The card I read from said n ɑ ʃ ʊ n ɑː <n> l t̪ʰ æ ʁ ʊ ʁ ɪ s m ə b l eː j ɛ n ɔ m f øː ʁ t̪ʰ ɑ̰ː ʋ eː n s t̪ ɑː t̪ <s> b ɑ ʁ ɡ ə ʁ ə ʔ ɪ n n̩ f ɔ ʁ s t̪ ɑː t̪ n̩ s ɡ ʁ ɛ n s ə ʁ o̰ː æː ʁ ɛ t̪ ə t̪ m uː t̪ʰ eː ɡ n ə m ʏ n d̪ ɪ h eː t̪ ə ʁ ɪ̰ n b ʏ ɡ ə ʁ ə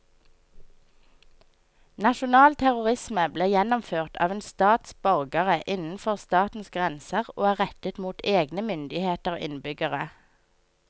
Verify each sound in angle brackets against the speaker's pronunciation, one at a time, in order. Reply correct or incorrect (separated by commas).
incorrect, correct